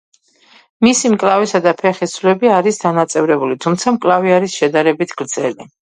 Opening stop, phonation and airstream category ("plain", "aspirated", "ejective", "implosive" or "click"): ejective